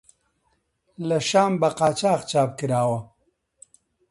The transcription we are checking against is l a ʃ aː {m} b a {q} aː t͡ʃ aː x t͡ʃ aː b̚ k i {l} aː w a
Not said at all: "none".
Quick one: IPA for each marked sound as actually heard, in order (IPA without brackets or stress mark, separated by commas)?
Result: m, q, ɾ